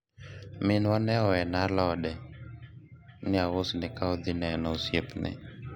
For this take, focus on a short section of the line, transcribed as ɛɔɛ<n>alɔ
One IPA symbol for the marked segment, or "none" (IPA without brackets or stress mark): n